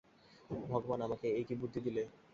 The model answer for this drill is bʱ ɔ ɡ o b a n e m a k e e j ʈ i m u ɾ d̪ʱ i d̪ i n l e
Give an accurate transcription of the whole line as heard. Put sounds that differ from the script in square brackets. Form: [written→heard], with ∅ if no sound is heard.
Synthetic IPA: bʱ ɔ ɡ o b a n [e→a] m a k e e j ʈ i [m→b] u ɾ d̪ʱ i d̪ i [n→∅] l e